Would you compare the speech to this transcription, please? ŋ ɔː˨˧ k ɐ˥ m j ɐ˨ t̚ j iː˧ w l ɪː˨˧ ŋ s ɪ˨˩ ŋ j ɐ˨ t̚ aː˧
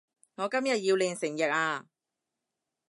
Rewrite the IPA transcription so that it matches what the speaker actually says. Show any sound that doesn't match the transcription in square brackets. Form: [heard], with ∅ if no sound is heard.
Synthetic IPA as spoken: ŋ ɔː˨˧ k ɐ˥ m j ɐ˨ t̚ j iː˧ w l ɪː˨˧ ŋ s ɪ˨˩ ŋ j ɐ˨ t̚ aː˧